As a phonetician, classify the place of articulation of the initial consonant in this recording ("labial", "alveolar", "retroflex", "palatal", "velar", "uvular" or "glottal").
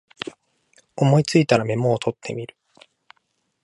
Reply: labial